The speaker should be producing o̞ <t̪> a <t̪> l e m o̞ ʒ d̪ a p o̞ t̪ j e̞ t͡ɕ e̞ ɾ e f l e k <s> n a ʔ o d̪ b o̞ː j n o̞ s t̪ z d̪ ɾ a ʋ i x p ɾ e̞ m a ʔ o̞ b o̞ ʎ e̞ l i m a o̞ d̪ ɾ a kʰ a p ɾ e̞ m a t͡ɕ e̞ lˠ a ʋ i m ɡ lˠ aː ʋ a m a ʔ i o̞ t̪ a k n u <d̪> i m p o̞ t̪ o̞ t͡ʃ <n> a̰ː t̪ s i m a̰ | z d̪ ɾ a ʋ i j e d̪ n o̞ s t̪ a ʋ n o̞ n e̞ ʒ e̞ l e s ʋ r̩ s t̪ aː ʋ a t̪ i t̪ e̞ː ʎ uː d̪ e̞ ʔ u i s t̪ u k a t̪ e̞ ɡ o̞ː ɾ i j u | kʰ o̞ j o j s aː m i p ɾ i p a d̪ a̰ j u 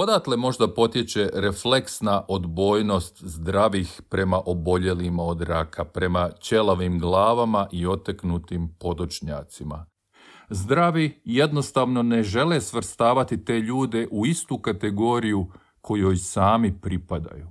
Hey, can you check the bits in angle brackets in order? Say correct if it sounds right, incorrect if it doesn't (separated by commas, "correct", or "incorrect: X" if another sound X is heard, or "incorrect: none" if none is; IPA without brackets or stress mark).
incorrect: d̪, correct, correct, incorrect: t̪, incorrect: ɲ